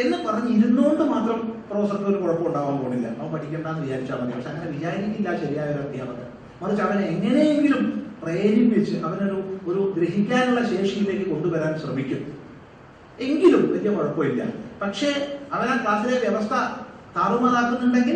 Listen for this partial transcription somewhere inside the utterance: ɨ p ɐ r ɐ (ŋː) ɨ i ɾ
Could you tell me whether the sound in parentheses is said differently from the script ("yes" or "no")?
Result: yes